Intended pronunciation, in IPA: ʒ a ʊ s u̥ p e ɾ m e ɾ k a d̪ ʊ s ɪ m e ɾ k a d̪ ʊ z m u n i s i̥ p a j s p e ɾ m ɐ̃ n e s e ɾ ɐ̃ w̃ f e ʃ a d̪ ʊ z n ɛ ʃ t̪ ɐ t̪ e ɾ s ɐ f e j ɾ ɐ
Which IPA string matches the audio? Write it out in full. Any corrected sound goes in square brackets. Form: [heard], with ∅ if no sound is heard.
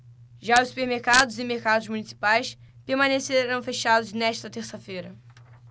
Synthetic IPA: ʒ a ʊ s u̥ p e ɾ m e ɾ k a d̪ ʊ [z] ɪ m e ɾ k a d̪ ʊ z m u n i s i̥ p a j s p e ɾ m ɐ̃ n e s e ɾ ɐ̃ w̃ f e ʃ a d̪ ʊ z n ɛ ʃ t̪ ɐ t̪ e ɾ s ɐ f e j ɾ ɐ